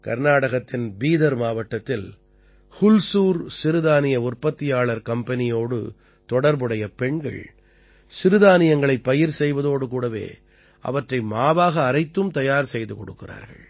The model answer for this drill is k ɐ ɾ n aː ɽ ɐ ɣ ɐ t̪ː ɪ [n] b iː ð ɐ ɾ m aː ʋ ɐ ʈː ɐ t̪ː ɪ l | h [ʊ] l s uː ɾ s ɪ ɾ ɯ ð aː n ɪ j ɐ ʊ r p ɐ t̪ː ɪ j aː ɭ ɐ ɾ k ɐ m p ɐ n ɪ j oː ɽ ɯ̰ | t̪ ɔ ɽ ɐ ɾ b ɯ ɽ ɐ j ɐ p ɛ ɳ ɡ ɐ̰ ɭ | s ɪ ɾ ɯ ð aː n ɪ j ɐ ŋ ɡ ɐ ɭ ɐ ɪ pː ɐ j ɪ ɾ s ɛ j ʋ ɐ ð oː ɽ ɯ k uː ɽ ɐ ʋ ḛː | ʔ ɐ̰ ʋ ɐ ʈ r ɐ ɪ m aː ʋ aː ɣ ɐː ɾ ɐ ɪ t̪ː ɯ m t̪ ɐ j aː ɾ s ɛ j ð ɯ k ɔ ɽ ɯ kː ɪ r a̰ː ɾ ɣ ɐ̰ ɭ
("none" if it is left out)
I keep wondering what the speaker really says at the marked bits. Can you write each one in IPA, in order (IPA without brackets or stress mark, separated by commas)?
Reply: n, ʊ